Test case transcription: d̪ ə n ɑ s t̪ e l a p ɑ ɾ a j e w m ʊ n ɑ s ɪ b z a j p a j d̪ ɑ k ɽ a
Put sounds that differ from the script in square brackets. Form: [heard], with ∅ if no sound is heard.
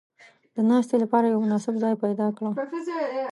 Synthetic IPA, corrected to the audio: d̪ ə n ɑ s t̪ e l a p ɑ ɾ a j [a] w m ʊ n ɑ s ɪ b z [ɑ] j p a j d̪ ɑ k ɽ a